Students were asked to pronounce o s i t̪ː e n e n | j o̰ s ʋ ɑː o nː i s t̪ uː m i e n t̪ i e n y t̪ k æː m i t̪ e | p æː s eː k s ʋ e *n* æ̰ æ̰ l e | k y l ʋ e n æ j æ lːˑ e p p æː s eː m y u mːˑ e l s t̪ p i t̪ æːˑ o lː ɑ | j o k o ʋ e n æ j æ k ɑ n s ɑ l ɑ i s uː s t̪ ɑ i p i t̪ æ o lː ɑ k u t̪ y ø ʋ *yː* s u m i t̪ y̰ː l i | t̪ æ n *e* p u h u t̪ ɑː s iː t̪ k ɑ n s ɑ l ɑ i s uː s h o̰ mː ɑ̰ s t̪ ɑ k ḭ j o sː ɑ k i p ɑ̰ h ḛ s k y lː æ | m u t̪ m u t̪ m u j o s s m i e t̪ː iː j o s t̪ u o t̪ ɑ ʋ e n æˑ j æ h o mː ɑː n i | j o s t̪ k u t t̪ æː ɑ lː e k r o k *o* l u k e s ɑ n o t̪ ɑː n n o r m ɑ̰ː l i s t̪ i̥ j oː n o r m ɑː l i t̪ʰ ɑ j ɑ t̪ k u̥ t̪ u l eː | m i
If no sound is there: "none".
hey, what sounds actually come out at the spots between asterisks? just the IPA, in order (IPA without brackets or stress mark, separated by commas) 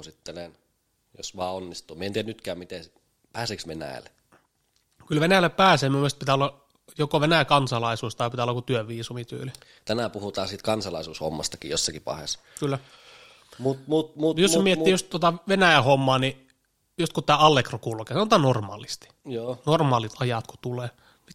n, iː, æ, u